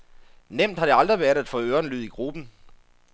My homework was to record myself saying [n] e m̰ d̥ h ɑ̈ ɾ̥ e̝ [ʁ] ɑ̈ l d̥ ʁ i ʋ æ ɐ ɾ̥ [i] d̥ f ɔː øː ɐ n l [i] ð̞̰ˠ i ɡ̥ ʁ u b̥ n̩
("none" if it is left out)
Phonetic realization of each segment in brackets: n, none, æ, y

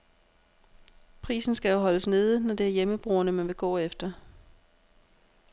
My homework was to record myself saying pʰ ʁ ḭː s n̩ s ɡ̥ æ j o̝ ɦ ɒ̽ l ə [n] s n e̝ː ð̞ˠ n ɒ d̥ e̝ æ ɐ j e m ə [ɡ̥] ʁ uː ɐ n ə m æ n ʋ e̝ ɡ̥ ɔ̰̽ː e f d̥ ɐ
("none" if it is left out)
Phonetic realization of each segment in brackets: none, b̥

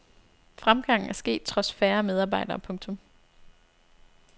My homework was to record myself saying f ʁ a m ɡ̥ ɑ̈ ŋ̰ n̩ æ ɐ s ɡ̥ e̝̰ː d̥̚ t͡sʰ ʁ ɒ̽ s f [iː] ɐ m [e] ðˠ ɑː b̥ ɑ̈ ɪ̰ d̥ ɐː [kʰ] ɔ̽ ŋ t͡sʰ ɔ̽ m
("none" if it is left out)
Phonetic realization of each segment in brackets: æː, e, pʰ

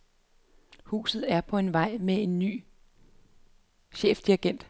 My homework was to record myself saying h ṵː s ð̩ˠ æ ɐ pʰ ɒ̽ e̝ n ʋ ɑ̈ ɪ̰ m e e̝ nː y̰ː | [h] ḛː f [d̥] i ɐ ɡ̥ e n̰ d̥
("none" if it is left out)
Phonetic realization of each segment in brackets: ɕ, d̥

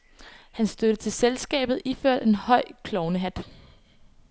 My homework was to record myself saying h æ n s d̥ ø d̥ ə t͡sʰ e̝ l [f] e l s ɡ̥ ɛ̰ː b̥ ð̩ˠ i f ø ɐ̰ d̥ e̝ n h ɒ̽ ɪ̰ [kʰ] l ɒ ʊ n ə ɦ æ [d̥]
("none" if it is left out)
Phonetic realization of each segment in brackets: s, kʰ, d̥

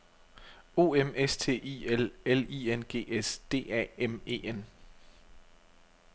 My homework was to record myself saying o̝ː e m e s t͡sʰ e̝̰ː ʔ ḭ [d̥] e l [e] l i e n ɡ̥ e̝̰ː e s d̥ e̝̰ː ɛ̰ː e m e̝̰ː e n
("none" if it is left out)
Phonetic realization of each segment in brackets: none, e

